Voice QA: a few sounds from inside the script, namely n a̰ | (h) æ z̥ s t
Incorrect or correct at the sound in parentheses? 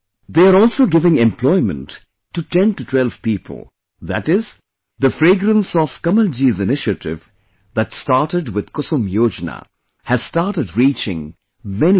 correct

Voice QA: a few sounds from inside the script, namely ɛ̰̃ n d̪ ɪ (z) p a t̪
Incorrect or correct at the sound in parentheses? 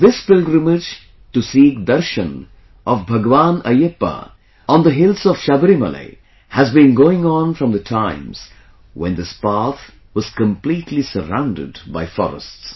incorrect: s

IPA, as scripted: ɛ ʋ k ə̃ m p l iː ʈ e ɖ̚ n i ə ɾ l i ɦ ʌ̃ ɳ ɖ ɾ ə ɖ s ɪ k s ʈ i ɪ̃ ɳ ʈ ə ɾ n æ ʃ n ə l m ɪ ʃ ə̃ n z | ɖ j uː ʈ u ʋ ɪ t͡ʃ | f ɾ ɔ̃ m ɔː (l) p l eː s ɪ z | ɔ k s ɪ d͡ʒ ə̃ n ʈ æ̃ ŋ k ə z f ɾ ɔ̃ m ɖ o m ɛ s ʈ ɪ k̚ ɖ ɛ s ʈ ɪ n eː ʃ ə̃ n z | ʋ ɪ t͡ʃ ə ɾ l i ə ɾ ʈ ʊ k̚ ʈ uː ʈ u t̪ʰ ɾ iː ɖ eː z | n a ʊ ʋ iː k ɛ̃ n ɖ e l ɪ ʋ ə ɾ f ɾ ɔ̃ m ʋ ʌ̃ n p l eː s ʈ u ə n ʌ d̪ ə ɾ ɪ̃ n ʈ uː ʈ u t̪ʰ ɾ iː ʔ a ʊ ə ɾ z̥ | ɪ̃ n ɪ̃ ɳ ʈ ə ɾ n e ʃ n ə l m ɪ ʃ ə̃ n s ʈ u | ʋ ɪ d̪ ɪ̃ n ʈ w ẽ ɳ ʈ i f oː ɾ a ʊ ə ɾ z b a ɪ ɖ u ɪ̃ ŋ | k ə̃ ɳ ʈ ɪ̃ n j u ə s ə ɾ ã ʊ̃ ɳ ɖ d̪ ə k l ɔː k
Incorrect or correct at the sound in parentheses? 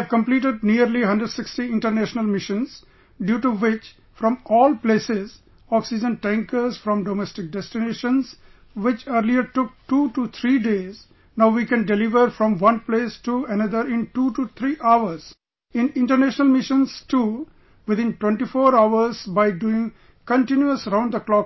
correct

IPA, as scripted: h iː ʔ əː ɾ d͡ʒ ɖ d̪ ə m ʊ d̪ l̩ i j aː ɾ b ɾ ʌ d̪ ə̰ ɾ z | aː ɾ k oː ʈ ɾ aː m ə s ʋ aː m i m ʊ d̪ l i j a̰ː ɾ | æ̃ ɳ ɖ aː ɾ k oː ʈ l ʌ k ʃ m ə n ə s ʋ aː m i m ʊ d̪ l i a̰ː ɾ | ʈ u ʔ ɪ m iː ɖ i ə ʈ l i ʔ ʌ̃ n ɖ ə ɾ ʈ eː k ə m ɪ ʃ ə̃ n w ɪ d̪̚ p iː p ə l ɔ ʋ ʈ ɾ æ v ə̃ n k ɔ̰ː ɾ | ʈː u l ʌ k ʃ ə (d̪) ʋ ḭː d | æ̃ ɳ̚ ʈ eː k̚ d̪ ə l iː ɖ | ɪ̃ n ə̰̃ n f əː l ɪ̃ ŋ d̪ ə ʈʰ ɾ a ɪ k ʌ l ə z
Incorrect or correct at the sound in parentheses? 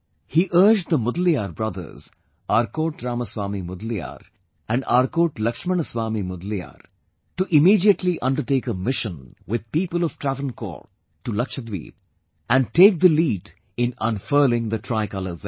correct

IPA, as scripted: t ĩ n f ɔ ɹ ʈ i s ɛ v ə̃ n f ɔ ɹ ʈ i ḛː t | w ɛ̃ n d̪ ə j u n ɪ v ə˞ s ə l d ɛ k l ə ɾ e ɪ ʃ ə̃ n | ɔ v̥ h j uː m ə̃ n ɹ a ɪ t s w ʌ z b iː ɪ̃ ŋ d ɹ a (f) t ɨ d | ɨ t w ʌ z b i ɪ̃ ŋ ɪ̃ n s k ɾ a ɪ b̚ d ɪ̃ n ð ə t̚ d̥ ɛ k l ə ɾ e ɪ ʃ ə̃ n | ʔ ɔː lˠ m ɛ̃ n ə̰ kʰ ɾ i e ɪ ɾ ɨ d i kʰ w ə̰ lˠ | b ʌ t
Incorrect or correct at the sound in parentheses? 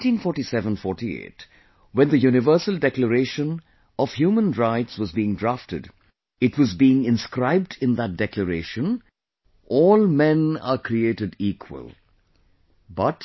correct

